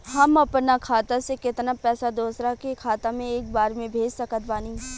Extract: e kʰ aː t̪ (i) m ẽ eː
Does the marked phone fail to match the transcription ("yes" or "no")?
yes